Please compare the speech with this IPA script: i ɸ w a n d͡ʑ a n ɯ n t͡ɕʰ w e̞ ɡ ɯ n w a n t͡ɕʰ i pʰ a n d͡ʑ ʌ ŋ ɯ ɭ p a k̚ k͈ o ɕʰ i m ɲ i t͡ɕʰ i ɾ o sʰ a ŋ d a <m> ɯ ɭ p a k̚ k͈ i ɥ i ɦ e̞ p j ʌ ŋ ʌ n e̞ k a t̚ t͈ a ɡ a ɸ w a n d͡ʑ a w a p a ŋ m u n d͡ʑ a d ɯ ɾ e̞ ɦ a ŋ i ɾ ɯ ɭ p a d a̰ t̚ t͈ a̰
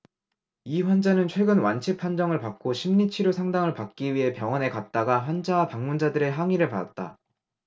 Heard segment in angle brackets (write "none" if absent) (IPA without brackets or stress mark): ŋ